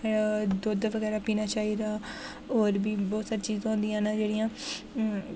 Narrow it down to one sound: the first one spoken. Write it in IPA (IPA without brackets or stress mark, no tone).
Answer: d̪